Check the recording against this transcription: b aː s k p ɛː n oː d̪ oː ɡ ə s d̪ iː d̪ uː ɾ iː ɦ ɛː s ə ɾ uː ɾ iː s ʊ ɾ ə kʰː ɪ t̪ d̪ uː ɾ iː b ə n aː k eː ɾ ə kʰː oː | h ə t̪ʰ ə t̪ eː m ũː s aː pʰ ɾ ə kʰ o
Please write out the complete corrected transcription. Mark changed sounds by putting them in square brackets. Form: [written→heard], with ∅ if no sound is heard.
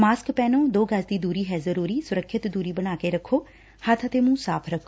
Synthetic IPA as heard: [b→m] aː s k p ɛː n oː d̪ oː ɡ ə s d̪ iː d̪ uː ɾ iː ɦ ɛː [s→z] ə ɾ uː ɾ iː s ʊ ɾ ə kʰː ɪ t̪ d̪ uː ɾ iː b ə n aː k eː ɾ ə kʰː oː | h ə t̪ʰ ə t̪ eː m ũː s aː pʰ ɾ ə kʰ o